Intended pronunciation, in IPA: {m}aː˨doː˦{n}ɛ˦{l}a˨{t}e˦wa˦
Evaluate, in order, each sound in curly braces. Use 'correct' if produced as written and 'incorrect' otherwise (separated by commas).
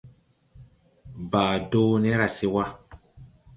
incorrect, correct, incorrect, incorrect